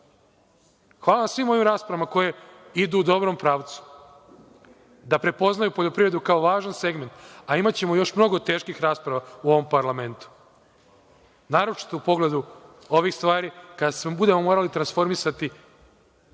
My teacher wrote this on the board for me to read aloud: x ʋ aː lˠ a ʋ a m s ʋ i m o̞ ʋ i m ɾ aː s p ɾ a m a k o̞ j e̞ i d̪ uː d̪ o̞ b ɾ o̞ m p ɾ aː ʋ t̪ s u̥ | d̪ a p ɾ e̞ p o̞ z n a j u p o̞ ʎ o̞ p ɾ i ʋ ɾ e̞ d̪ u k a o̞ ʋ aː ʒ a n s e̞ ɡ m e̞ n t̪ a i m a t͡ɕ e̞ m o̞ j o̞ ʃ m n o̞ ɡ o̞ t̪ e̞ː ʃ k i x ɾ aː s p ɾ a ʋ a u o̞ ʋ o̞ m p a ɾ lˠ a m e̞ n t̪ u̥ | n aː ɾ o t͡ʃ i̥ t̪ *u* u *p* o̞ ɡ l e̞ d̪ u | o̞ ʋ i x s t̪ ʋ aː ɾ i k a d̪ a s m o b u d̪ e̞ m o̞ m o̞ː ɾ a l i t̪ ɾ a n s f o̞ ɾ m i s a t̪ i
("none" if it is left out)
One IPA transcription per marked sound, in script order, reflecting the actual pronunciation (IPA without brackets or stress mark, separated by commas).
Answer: o, p